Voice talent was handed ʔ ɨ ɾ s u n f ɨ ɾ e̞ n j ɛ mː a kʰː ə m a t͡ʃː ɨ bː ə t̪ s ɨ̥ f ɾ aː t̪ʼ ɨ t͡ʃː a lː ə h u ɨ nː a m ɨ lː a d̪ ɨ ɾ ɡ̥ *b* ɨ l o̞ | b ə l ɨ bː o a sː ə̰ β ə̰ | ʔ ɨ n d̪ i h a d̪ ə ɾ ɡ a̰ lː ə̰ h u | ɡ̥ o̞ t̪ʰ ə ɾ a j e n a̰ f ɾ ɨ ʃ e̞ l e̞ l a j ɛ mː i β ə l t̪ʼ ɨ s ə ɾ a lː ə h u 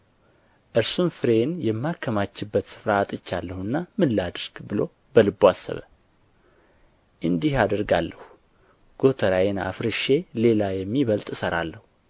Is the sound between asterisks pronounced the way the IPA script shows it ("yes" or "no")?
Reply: yes